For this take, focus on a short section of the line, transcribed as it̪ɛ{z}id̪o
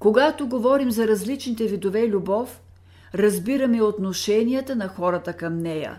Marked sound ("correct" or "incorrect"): incorrect